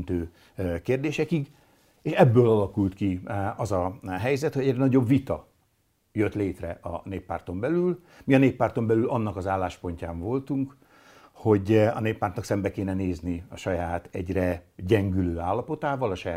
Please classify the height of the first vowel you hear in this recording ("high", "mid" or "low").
mid